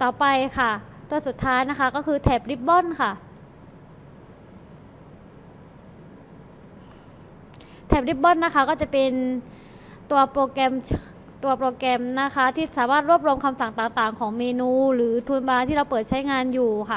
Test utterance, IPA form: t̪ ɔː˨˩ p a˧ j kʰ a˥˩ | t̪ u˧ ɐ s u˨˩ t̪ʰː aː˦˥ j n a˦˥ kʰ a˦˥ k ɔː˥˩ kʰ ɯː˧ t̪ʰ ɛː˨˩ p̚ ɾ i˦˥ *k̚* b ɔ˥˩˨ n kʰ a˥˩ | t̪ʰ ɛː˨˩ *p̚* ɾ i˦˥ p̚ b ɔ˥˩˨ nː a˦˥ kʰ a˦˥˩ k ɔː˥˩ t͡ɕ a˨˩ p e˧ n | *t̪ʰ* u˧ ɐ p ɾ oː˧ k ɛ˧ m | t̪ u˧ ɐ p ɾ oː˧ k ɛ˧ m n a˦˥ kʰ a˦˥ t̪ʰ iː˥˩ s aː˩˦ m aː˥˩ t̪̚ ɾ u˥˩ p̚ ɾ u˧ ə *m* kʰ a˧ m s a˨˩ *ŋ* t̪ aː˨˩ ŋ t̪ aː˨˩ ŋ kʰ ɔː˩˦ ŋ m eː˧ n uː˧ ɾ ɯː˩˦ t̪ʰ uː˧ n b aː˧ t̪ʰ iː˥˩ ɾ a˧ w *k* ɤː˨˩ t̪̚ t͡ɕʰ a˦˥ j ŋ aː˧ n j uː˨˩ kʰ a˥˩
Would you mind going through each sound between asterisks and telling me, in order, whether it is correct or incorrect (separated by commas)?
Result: incorrect, correct, incorrect, correct, correct, incorrect